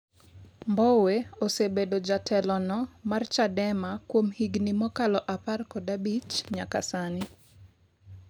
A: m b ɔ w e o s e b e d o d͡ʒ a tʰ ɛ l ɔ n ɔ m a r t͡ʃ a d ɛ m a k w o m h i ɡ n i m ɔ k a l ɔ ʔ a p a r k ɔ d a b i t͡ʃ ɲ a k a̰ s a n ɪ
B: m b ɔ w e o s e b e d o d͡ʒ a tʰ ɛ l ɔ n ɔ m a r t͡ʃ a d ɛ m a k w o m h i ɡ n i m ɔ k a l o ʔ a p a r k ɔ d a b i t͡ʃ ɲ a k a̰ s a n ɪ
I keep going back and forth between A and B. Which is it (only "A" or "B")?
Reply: A